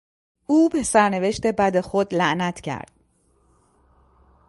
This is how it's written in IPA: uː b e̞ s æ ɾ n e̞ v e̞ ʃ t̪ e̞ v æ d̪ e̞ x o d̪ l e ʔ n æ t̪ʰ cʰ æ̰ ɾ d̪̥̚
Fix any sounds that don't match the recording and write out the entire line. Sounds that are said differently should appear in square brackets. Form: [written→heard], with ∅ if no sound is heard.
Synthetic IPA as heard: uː b e̞ s æ ɾ n e̞ v e̞ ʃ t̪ e̞ [v→b] æ d̪ e̞ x o d̪ l [e→æ] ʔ n æ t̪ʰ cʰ æ̰ ɾ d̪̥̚